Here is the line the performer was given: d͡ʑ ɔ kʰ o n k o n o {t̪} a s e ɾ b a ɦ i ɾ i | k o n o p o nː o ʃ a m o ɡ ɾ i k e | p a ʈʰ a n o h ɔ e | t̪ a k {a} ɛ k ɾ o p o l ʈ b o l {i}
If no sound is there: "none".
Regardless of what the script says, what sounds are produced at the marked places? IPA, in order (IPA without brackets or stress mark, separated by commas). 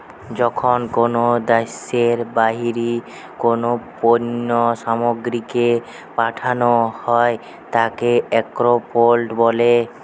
d̪, e, e